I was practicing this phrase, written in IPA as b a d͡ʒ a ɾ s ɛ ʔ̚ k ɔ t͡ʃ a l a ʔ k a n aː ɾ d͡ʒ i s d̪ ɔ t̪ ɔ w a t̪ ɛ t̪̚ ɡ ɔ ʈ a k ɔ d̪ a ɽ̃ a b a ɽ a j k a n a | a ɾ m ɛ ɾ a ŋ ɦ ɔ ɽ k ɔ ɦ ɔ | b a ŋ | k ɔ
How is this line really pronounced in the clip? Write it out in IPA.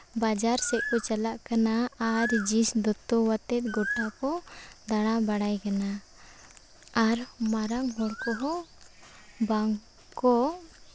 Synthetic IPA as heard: b a d͡ʒ a ɾ s ɛ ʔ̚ k ɔ t͡ʃ a l a ʔ k a n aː ɾ d͡ʒ i s d̪ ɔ t̪ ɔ w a t̪ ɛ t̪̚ ɡ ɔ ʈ a k ɔ d̪ a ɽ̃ a b a ɽ a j k a n a | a ɾ m a ɾ a ŋ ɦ ɔ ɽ k ɔ ɦ ɔ | b a ŋ | k ɔ